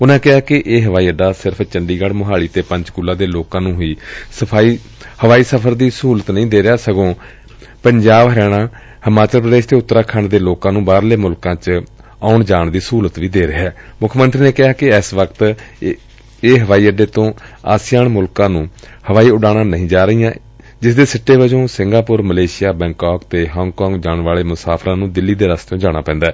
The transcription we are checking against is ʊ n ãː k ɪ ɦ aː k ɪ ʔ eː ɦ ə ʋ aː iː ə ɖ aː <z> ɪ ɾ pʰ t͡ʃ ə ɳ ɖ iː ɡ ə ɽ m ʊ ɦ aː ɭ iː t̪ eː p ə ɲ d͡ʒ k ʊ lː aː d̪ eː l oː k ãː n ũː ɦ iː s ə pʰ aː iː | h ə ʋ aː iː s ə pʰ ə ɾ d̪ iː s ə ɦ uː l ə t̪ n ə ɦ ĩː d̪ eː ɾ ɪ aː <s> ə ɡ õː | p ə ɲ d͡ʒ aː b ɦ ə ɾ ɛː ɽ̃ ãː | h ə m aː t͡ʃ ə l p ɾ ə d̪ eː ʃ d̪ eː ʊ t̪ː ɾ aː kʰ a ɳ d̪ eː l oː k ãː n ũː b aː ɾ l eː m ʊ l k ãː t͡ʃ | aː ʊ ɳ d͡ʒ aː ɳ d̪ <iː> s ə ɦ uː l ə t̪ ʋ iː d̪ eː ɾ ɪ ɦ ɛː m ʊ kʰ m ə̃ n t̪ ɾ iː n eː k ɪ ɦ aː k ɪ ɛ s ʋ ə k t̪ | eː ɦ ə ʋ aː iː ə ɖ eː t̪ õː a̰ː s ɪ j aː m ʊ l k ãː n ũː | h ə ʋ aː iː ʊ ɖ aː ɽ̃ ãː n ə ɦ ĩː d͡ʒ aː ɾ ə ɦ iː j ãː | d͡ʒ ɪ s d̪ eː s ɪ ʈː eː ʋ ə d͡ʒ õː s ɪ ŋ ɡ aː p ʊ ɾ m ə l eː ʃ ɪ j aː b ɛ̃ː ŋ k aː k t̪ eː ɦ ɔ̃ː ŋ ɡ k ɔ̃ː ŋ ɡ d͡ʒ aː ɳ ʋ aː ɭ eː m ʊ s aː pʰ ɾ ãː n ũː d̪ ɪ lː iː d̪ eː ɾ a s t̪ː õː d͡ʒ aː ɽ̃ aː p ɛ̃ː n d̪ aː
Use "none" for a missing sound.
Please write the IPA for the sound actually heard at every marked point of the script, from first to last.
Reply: s, s, iː

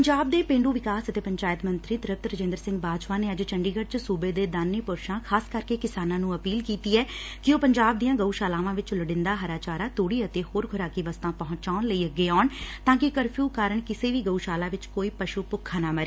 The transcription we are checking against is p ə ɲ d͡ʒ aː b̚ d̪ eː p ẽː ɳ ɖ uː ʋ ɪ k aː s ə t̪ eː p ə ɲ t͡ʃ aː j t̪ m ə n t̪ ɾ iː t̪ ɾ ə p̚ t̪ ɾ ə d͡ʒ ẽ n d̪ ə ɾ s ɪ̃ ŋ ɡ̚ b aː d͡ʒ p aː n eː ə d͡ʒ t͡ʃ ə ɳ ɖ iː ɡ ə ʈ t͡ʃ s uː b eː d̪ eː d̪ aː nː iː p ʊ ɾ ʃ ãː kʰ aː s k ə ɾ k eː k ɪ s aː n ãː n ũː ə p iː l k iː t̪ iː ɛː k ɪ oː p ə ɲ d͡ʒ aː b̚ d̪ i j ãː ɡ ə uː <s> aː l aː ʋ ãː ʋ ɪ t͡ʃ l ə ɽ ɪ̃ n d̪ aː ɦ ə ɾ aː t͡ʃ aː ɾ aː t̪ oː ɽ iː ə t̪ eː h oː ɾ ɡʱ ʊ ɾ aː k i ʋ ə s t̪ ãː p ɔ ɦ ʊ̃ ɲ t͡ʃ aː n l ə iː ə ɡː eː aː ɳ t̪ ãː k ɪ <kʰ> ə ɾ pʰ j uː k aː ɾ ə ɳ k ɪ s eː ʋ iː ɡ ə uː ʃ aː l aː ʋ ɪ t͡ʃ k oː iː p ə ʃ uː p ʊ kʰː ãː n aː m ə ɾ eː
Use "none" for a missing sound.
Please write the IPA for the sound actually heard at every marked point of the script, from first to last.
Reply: ʃ, k

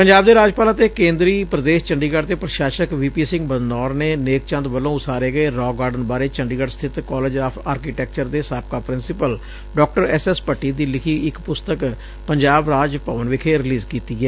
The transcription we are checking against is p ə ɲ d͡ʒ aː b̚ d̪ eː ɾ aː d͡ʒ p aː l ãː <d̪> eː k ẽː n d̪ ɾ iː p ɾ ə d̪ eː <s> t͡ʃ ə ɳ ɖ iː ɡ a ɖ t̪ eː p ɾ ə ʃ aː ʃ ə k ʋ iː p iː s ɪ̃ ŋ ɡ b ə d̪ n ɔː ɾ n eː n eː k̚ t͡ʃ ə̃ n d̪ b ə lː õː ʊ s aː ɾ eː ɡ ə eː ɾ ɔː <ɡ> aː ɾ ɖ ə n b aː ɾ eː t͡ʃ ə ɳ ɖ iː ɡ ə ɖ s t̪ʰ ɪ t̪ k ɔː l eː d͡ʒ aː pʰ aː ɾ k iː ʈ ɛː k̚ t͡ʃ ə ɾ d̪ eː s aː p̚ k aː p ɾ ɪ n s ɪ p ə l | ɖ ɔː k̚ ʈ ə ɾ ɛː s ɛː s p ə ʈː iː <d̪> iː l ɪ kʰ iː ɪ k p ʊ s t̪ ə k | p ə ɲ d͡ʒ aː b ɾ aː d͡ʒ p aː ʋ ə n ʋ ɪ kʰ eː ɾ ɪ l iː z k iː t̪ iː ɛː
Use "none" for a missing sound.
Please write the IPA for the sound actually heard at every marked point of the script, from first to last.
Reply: t̪, ʃ, ɡ, d̪

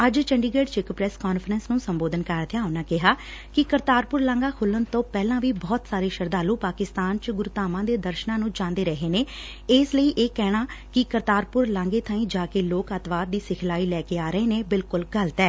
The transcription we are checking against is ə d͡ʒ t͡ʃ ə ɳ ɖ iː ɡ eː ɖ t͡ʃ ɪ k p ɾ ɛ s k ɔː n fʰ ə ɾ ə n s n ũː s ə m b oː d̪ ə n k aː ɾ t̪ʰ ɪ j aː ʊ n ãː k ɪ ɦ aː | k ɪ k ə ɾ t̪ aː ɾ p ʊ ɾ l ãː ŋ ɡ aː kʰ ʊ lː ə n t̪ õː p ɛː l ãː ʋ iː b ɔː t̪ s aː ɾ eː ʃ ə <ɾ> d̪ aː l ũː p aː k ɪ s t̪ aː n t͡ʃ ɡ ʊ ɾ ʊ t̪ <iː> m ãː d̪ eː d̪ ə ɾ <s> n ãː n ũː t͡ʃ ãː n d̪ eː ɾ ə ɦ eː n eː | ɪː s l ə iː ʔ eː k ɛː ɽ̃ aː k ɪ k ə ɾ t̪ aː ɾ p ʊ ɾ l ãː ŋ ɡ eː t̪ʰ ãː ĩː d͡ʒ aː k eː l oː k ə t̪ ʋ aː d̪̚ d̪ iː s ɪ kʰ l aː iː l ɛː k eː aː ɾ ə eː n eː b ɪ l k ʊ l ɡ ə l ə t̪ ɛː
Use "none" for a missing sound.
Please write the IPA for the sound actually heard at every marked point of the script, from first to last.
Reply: ɾ, aː, ʃ

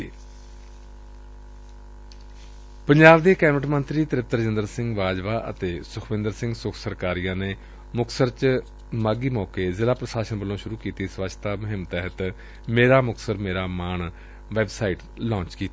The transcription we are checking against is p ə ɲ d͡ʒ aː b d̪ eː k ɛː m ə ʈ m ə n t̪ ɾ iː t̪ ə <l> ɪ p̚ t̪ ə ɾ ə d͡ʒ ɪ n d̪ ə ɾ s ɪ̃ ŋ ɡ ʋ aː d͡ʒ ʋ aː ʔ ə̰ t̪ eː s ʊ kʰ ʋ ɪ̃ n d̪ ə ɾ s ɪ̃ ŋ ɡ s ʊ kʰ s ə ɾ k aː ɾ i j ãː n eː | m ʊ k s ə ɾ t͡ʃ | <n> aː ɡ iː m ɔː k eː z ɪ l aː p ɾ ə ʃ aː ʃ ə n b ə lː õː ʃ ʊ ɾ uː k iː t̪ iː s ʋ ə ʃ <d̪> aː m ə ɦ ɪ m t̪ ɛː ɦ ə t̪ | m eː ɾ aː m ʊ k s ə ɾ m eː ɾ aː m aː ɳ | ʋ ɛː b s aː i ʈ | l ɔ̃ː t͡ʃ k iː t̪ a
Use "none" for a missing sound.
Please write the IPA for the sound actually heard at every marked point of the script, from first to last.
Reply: ɾ, m, t̪

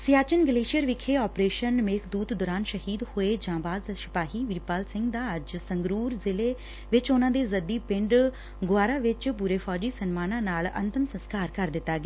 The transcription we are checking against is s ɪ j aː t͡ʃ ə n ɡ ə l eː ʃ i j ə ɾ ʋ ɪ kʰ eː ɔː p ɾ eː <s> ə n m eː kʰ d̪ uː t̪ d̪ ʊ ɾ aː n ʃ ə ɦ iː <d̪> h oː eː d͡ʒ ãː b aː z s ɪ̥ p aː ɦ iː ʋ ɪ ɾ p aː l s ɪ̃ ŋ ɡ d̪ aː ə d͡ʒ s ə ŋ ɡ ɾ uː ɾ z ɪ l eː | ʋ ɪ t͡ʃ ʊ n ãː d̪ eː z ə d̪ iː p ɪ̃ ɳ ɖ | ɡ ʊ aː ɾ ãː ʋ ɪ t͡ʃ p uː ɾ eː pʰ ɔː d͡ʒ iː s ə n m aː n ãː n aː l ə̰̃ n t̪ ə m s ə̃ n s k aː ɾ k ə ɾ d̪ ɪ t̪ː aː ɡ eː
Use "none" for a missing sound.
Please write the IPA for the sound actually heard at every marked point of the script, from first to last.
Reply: ʃ, d̪

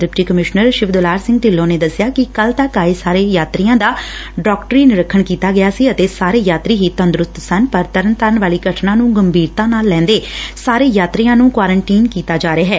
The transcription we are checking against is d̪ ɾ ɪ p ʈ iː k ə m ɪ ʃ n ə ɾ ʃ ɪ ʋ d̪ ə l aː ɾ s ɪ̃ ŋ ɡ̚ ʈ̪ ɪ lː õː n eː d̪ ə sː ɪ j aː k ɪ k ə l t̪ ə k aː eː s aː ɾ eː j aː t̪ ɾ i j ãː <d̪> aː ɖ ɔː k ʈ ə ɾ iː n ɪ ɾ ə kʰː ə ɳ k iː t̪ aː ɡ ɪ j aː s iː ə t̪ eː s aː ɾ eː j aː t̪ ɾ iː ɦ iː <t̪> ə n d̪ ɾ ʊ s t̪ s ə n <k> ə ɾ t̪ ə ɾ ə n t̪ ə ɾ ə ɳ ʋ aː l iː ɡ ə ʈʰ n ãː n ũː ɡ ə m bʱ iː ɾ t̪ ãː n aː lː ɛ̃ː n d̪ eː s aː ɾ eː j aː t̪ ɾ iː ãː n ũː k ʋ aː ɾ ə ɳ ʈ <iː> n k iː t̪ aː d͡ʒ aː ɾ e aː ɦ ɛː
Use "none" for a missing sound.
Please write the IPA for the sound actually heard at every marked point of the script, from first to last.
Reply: d̪, t̪, p, iː

